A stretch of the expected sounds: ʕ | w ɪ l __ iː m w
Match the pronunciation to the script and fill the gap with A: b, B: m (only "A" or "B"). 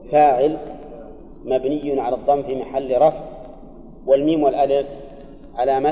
B